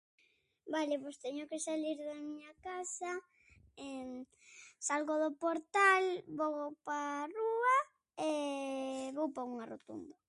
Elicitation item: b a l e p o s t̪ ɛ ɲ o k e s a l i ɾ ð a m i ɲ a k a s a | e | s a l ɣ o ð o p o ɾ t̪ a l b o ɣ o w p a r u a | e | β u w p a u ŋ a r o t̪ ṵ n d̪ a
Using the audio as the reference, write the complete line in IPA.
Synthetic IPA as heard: b a l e p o s t̪ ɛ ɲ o k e s a l i ɾ ð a m i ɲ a k a s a | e | s a l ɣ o ð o p o ɾ t̪ a l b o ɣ o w p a r u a | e | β o w p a u ŋ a r o t̪ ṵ n d̪ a